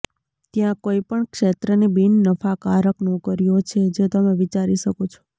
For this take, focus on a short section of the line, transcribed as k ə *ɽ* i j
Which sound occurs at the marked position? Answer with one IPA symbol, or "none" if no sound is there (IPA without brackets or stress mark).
ɾ